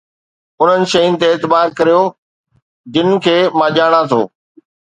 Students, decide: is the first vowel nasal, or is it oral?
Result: oral